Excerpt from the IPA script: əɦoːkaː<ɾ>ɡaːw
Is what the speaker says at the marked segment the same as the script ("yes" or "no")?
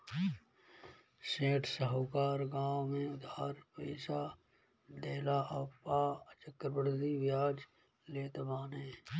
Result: yes